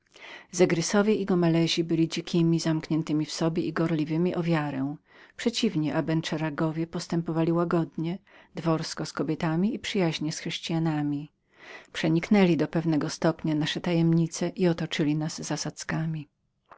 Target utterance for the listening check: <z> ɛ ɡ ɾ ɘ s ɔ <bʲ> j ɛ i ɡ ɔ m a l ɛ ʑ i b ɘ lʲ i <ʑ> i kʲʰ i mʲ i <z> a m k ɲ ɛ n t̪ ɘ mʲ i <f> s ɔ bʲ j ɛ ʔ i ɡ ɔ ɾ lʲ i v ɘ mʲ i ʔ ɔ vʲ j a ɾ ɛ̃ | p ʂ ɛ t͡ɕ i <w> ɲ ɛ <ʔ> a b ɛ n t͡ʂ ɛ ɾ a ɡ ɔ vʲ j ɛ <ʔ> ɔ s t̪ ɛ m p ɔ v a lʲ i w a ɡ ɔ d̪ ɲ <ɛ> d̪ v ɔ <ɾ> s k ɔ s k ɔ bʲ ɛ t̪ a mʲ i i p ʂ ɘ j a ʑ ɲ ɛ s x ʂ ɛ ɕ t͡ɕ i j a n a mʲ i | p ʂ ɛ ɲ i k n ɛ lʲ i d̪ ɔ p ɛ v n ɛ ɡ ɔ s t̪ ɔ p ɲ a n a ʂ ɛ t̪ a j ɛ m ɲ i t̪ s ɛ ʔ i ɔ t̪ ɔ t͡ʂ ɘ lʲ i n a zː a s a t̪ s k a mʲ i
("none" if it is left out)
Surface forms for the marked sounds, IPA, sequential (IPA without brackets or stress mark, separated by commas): z, vʲ, d͡ʑ, z, f, v, ʔ, p, ɛ, ɾ